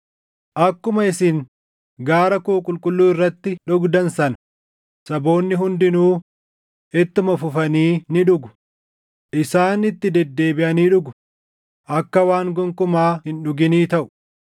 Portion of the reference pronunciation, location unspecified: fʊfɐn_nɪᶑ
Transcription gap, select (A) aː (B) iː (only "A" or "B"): B